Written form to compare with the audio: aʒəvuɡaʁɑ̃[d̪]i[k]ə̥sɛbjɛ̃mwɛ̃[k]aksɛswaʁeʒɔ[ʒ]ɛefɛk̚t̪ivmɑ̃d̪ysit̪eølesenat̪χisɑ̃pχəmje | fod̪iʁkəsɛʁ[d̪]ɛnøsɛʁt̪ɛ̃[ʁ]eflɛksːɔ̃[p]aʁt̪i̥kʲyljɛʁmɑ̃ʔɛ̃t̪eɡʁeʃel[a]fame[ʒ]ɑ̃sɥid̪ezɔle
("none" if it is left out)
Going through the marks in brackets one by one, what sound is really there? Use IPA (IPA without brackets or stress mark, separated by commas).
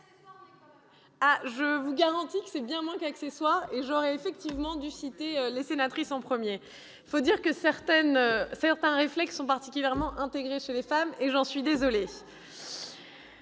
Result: t̪, k, k, ʁ, t̪, ʁ, p, e, ʒ